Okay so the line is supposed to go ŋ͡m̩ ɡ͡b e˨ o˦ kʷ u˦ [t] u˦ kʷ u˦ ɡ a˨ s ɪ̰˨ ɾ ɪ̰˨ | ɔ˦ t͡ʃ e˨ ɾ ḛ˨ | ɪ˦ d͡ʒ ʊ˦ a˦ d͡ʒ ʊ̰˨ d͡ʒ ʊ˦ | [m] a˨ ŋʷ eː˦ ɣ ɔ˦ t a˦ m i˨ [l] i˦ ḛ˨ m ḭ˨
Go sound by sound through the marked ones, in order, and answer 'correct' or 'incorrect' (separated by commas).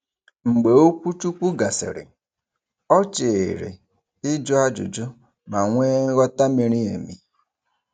incorrect, correct, incorrect